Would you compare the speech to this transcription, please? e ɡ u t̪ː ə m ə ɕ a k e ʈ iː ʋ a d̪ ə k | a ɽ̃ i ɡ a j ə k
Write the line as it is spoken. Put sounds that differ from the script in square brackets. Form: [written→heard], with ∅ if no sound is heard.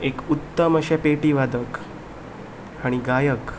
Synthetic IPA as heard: e [ɡ→k] u t̪ː ə m ə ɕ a [k→p] e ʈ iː ʋ a d̪ ə k | a ɽ̃ i ɡ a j ə k